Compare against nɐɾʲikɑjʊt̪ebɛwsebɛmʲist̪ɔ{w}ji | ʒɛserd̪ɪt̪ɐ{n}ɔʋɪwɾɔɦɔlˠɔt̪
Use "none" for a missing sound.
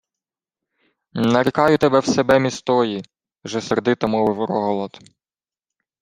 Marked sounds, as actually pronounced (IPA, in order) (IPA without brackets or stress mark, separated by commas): none, m